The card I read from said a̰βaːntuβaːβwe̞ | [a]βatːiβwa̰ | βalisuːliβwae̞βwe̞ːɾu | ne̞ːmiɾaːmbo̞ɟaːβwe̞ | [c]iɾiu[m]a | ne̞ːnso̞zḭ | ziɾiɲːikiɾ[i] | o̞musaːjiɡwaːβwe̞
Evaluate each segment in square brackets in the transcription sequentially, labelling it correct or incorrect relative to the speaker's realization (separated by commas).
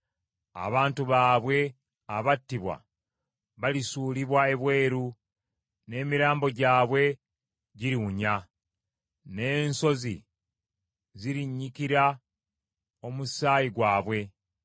correct, incorrect, incorrect, incorrect